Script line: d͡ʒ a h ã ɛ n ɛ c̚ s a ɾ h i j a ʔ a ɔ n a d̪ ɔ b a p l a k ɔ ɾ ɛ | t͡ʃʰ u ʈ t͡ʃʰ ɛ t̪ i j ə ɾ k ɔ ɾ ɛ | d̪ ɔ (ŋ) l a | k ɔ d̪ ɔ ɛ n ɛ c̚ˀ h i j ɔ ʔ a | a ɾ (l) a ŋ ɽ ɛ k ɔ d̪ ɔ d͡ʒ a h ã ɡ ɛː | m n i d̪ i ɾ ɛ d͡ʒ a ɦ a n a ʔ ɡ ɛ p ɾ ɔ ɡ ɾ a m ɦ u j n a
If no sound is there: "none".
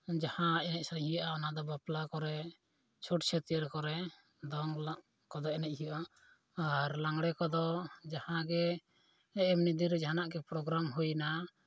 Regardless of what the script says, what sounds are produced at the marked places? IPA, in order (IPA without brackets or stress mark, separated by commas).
ŋ, l